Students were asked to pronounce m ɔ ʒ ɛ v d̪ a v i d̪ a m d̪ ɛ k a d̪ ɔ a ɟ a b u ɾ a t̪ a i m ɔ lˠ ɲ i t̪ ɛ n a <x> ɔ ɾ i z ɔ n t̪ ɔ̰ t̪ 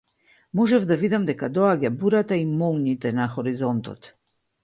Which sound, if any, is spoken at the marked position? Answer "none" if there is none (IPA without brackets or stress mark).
x